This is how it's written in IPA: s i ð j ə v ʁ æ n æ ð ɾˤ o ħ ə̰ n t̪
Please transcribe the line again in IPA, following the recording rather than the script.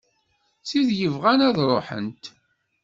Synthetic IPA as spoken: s i ð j ə v ʁ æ n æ ð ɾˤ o ħ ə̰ n t̪